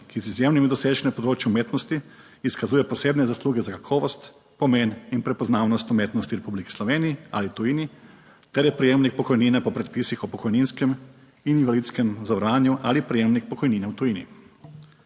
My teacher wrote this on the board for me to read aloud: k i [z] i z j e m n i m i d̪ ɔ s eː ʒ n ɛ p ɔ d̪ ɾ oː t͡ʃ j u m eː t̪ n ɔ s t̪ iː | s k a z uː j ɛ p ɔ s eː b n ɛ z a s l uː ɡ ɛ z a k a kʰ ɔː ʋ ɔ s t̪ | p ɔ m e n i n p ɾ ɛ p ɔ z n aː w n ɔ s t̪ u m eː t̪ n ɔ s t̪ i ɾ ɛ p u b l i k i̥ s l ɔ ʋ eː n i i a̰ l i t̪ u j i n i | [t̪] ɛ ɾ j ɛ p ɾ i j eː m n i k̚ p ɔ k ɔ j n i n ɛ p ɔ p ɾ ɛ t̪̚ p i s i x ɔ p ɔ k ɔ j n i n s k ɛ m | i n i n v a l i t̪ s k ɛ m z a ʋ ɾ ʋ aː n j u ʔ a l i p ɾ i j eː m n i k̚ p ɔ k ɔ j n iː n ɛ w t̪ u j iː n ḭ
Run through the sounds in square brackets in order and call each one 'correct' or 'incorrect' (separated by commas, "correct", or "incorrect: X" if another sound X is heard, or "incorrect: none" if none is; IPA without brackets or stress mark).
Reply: correct, correct